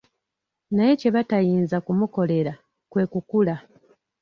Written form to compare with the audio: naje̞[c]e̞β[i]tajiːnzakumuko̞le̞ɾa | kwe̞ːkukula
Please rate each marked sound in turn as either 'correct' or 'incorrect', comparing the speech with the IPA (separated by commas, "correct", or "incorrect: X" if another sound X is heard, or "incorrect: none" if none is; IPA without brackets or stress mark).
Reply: correct, incorrect: a